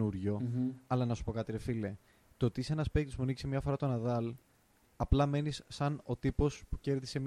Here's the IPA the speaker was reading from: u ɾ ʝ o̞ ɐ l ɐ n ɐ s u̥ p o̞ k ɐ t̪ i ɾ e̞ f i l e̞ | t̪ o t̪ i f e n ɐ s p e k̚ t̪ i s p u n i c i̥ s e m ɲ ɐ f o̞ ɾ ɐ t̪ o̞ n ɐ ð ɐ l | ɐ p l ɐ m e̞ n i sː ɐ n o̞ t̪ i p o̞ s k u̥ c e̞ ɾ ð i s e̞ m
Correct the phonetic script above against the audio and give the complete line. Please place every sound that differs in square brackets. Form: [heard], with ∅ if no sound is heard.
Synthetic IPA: u ɾ ʝ o̞ ɐ l ɐ n ɐ s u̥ p o̞ k ɐ t̪ i ɾ e̞ f i l e̞ | t̪ o t̪ i [s] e n ɐ s p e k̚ t̪ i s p u n i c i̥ s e m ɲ ɐ f o̞ ɾ ɐ t̪ o̞ n ɐ ð ɐ l | ɐ p l ɐ m e̞ n i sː ɐ n o̞ t̪ i p o̞ s [p] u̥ c e̞ ɾ ð i s e̞ m